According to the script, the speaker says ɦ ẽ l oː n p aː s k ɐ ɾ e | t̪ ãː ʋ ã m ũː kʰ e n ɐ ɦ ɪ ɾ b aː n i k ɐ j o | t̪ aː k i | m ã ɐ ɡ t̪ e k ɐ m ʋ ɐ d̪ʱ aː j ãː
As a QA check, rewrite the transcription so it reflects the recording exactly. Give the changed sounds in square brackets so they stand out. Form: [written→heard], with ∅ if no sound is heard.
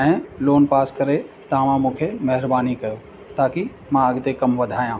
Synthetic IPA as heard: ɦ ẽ l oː n p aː s k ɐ ɾ e | t̪ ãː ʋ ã m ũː kʰ e [n→m] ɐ ɦ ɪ ɾ b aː n i k ɐ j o | t̪ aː k i | m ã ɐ ɡ t̪ e k ɐ m ʋ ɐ d̪ʱ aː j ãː